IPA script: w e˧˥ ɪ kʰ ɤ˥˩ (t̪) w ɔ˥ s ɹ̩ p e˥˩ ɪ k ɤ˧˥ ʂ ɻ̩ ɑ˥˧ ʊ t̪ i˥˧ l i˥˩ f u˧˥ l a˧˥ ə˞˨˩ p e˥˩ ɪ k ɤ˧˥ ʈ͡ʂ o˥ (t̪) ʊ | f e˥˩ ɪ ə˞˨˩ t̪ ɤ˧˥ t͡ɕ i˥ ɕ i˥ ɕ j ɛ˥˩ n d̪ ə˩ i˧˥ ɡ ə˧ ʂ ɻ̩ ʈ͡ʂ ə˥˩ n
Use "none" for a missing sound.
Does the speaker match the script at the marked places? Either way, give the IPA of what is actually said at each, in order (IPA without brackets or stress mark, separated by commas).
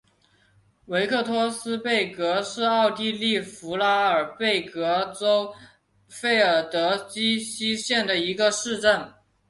t̪ʰ, none